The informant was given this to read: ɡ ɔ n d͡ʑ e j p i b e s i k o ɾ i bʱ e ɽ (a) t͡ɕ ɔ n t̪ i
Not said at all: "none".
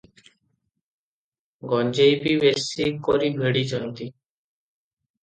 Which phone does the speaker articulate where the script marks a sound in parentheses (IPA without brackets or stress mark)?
i